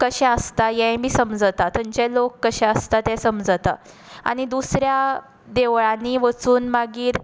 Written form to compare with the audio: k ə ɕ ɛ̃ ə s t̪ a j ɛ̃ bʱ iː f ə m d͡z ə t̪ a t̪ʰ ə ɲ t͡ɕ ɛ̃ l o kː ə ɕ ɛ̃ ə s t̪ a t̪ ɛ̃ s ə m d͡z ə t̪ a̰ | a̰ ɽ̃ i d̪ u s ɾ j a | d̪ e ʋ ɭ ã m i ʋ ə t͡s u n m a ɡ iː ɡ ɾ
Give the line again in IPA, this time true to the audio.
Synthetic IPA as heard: k ə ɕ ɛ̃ ə s t̪ a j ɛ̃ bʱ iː s ə m d͡z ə t̪ a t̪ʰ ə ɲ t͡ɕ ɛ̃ l o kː ə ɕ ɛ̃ ə s t̪ a t̪ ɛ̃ s ə m d͡z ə t̪ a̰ | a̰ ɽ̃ i d̪ u s ɾ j a | d̪ e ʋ ɭ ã n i ʋ ə t͡s uː n m a ɡ iː ɾ